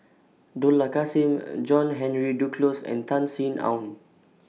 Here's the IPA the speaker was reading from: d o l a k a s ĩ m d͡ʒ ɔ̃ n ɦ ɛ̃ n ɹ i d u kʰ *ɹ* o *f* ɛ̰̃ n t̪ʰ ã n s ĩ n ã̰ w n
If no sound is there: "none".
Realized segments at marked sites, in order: l, s

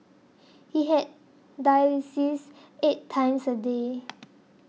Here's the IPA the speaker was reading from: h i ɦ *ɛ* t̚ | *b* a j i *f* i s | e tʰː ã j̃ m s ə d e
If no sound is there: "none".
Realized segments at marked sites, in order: ɛ, d, s

